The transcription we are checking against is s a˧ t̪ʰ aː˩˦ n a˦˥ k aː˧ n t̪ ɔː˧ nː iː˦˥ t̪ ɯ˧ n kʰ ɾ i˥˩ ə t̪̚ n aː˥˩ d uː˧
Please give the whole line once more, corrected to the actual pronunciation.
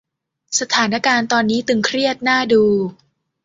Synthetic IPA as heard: s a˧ t̪ʰ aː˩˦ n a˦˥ k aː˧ n t̪ ɔː˧ nː iː˦˥ t̪ ɯ˧ ŋ kʰ ɾ i˥˩ ə t̪̚ n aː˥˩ d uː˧